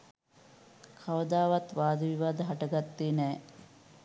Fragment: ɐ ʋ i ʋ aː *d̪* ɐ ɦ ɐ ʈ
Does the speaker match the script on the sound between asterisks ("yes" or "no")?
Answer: yes